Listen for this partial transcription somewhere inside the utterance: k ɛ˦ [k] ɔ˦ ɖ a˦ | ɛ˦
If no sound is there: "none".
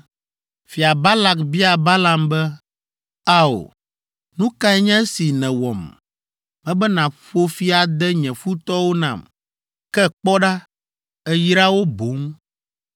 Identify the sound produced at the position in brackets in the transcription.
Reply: k͡p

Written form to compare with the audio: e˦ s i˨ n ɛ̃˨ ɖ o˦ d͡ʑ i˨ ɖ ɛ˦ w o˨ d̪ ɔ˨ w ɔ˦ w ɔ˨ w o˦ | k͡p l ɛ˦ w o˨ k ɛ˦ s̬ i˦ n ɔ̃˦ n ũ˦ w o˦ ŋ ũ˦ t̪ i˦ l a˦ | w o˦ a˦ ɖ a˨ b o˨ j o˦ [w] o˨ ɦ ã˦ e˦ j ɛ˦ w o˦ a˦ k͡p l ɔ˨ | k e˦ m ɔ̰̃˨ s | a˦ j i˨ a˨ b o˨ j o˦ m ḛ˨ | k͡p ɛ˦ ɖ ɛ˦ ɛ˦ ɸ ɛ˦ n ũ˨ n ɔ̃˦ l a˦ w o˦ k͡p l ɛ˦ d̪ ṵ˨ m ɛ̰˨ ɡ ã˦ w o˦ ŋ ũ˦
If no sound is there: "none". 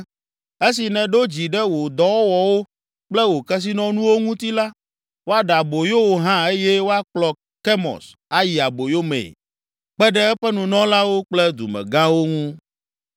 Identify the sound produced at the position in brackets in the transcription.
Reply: w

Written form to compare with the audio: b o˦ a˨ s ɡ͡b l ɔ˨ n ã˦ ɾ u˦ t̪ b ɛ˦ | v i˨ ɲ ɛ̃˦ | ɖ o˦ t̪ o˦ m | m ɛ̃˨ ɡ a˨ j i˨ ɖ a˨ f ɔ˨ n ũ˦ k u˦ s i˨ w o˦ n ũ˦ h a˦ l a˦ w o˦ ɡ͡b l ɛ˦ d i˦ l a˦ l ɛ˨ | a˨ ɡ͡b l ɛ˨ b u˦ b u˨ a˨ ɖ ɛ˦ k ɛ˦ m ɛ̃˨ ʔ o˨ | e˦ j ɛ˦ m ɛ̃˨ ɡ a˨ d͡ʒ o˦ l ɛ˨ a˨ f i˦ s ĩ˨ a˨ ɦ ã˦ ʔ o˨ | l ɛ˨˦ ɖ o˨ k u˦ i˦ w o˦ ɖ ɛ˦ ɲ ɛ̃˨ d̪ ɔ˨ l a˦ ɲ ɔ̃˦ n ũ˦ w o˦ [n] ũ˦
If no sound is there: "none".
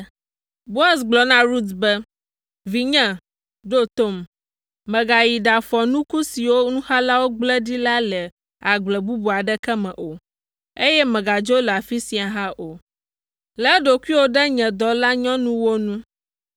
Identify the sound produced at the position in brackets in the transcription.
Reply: n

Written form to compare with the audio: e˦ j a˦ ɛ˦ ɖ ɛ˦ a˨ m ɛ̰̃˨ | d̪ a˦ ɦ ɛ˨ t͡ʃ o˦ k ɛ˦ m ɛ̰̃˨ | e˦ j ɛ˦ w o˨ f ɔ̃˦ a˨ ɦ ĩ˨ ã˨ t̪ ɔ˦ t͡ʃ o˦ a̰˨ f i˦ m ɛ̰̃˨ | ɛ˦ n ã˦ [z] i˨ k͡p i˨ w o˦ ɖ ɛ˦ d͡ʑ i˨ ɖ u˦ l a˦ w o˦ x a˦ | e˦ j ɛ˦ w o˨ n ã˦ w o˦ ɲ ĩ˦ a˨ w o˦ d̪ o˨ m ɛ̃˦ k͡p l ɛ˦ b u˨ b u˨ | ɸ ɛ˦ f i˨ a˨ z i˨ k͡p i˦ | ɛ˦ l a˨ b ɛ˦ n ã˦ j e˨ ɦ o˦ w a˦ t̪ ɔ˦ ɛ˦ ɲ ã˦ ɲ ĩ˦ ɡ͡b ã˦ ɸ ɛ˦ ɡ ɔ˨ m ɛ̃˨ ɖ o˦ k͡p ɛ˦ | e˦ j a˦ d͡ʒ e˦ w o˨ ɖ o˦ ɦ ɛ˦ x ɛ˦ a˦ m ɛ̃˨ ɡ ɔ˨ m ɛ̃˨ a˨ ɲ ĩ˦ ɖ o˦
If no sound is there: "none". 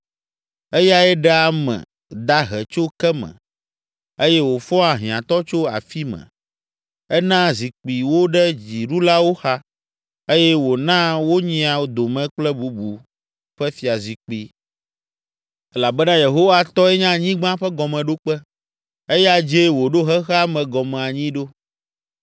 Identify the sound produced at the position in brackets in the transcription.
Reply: z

